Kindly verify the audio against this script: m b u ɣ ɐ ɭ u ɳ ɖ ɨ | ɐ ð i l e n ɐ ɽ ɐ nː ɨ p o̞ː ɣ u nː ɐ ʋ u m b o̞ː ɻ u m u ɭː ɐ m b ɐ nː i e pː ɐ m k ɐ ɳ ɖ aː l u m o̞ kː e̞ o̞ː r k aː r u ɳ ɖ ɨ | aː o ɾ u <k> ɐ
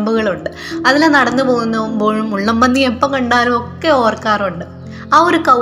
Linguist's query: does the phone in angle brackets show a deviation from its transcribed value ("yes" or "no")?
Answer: no